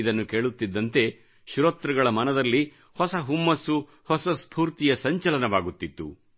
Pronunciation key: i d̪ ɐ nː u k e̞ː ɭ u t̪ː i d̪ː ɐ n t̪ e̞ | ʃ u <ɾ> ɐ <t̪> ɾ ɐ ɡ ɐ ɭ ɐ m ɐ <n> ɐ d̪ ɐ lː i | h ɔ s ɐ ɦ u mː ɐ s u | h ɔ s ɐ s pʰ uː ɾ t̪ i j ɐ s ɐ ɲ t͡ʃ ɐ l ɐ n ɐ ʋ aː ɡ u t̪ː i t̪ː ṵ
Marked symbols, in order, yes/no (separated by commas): yes, yes, yes